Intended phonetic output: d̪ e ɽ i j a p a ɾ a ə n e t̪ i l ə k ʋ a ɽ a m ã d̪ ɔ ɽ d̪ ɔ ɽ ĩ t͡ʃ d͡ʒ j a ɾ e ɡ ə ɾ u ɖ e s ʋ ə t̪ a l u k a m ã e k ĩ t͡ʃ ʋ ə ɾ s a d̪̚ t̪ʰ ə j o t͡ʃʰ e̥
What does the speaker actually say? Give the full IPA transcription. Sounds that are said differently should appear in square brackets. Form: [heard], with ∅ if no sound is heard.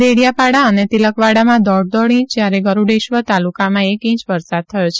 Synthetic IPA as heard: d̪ e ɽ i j a p a [ɽ] a ə n e t̪ i l ə k ʋ a ɽ a m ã d̪ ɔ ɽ d̪ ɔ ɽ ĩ t͡ʃ d͡ʒ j a ɾ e ɡ ə ɾ u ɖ e [ʃ] ʋ ə t̪ a l u k a m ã e k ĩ t͡ʃ ʋ ə ɾ s a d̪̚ t̪ʰ ə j o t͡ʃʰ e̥